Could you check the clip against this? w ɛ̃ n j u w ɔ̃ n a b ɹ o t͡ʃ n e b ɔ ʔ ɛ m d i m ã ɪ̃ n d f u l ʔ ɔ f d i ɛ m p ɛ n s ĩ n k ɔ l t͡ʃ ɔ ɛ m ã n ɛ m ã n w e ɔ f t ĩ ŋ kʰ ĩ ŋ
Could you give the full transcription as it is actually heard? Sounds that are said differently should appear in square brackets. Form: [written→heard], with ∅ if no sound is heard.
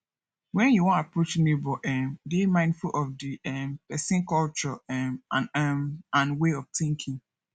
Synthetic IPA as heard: w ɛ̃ n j u w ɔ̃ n a [b→p] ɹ o t͡ʃ n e b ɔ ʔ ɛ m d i m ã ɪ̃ n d f u l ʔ ɔ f d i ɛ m p ɛ [n→∅] s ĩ n k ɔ l t͡ʃ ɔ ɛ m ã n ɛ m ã n w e ɔ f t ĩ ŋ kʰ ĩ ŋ